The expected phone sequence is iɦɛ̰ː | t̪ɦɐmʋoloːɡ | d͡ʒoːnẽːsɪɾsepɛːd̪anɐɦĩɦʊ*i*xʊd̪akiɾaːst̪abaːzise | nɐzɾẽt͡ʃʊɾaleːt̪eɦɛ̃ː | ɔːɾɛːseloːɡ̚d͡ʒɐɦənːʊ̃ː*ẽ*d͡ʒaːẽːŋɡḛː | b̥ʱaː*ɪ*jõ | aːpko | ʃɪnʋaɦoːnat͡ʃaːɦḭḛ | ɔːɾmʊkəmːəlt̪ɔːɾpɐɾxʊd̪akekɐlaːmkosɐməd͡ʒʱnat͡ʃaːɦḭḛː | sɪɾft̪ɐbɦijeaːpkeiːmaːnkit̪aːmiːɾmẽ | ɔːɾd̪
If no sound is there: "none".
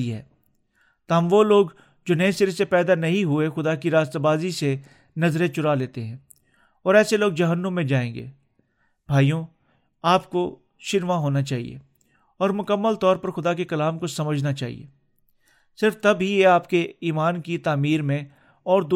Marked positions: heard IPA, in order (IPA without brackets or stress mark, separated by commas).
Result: e, ẽ, i